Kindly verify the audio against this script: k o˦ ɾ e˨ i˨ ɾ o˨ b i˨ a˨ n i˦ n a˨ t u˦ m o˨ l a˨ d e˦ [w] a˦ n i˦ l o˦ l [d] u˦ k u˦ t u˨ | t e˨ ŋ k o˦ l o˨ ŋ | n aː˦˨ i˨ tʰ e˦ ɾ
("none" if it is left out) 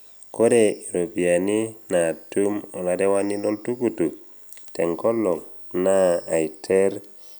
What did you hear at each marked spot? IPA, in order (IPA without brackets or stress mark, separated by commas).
w, t